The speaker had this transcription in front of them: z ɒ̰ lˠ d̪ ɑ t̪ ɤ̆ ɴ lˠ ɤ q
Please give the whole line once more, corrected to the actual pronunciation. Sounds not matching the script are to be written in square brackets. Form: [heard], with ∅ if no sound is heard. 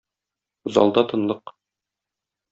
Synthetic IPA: z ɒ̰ lˠ d̪ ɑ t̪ ɤ̆ [n] lˠ ɤ q